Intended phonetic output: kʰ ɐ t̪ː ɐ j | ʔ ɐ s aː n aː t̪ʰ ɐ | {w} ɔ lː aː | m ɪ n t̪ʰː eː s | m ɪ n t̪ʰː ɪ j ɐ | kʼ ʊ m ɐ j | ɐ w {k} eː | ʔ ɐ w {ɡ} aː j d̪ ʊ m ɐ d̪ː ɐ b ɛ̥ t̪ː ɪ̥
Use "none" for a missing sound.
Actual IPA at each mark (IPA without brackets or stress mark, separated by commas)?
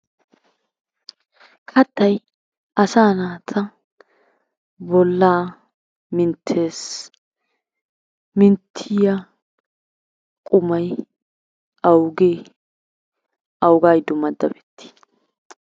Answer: b, ɡ, ɡ